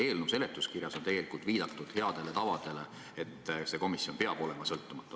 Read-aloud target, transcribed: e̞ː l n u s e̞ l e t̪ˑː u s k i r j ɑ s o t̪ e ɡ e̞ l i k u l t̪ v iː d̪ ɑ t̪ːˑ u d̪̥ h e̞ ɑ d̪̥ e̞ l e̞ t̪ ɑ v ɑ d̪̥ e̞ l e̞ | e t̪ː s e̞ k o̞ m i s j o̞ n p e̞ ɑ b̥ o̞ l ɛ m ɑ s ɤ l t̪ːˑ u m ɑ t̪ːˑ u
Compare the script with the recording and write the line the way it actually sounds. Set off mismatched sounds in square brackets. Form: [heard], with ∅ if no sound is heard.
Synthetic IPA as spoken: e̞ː l n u s e̞ l e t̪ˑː u s k i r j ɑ s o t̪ e ɡ e̞ l i k u l t̪ v iː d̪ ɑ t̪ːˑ u d̪̥ h e̞ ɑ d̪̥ e̞ l e̞ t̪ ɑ v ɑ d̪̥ e̞ l e̞ | e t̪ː s e̞ k o̞ m i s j o̞ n p e̞ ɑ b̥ o̞ l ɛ m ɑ s ɤ l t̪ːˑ u m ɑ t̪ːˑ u

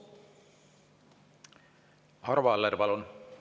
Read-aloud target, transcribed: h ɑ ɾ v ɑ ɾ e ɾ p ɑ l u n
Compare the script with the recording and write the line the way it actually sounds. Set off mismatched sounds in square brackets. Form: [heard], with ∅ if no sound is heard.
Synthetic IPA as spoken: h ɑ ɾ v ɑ [l] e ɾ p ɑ l u n

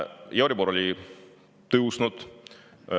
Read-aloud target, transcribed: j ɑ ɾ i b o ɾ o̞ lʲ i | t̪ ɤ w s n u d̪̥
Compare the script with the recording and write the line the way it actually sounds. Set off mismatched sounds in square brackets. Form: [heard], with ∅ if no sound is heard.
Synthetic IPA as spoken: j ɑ ɾ i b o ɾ o̞ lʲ i | t̪ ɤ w s n u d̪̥

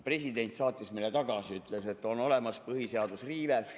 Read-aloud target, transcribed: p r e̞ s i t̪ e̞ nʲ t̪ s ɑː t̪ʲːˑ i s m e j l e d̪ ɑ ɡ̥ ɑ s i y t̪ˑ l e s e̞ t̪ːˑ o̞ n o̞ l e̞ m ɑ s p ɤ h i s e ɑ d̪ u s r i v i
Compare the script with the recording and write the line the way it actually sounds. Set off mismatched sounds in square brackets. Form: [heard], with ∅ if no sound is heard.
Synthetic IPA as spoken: p r e̞ s i [d̪] e̞ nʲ t̪ s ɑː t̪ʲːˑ i s m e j l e [t̪] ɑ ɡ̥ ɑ s i y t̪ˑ l e s e̞ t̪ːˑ o̞ n o̞ l e̞ m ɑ s p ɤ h i s e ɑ d̪ u s r [iː] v [e]

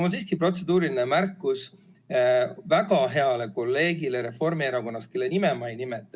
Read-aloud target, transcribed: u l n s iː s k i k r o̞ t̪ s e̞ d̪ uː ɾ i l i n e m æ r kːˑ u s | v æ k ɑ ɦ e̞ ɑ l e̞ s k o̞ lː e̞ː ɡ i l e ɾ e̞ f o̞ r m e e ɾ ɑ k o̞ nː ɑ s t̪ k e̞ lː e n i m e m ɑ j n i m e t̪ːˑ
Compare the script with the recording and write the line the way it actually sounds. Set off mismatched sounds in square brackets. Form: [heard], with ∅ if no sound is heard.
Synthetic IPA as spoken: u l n s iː s k i [p] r o̞ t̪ s e̞ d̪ uː ɾ i l i n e m æ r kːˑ u s | v æ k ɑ ɦ e̞ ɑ l e̞ [∅] k o̞ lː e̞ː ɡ i l e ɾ e̞ f o̞ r m [i] e ɾ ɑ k o̞ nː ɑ s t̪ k e̞ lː e n i m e m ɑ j n i m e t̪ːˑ

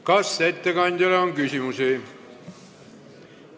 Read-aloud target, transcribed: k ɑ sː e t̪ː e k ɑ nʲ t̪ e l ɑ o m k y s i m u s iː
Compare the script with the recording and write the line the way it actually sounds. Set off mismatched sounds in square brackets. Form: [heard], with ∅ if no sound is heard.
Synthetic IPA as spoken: k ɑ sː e t̪ː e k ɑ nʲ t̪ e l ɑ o [ŋ] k y s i m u s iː

